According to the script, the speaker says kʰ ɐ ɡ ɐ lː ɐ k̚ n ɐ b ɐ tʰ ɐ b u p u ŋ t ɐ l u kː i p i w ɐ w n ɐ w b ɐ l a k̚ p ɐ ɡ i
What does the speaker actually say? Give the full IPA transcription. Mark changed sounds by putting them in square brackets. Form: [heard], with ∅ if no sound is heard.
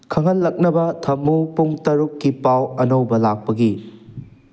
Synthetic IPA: kʰ ɐ [ŋ] ɐ lː ɐ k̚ n ɐ b ɐ tʰ ɐ [m] u p u ŋ t ɐ [ɾ] u kː i p [a] w ɐ [∅] n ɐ w b ɐ l a k̚ p ɐ ɡ i